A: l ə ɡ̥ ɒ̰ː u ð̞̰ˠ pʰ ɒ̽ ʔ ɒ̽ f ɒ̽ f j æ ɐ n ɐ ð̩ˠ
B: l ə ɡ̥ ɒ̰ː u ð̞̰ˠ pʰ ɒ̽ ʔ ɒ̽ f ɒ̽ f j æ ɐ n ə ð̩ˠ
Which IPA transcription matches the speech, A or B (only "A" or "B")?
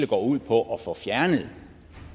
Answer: B